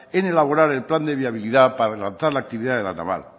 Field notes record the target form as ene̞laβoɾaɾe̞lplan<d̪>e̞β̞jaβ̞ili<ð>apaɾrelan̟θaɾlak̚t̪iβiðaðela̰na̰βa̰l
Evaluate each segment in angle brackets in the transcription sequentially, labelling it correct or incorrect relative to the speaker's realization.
correct, correct

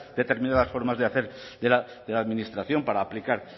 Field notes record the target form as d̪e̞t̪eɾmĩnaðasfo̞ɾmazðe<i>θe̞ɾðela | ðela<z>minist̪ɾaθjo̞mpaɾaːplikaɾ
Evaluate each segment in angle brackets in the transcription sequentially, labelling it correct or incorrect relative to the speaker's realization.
incorrect: a, incorrect: ð

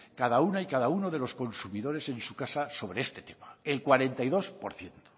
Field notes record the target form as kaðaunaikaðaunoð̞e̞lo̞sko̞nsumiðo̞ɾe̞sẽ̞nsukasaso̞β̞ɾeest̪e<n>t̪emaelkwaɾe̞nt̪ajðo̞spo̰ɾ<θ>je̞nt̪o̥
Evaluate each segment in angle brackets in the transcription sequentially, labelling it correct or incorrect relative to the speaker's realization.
incorrect: none, correct

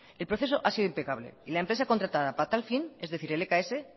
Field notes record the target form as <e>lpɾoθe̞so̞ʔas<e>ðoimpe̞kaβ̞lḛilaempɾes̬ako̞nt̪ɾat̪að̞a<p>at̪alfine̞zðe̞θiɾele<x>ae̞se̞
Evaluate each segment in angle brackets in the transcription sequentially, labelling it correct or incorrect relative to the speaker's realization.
correct, incorrect: i, correct, incorrect: k

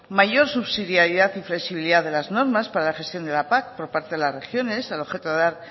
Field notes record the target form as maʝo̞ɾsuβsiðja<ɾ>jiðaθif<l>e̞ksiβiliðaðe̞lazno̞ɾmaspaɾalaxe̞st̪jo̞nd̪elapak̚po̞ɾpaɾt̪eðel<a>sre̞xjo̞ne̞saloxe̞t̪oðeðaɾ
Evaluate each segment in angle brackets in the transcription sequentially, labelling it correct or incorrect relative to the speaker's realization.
correct, correct, correct

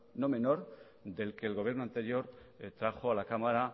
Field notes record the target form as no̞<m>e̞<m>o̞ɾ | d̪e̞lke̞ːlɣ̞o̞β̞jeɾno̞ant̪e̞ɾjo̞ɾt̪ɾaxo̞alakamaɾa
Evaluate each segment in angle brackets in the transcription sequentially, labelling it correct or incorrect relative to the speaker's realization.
correct, incorrect: n

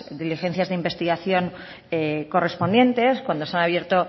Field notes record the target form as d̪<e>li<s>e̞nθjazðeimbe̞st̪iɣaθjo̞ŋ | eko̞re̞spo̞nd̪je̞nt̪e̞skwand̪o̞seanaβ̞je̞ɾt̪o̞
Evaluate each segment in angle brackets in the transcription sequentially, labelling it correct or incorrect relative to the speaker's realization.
incorrect: i, incorrect: x

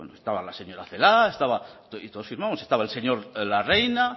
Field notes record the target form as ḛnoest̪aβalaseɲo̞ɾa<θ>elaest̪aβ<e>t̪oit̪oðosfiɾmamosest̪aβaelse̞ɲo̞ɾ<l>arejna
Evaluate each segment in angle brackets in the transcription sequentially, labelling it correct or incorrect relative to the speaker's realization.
correct, incorrect: a, correct

